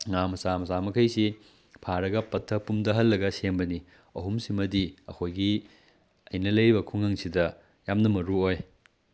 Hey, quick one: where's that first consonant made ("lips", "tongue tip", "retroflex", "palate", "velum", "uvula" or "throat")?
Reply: velum